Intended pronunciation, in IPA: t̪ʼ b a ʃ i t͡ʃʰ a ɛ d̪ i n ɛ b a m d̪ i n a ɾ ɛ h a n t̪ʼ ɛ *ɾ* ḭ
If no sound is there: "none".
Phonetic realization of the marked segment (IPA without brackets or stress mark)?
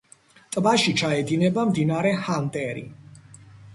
ɾ